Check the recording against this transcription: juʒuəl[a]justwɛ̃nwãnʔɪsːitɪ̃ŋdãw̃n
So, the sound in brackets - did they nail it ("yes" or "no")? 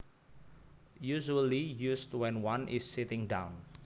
no